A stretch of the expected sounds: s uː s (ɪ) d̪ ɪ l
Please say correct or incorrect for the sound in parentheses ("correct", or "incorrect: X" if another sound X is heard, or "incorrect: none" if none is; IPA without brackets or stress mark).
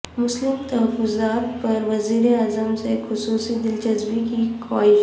incorrect: i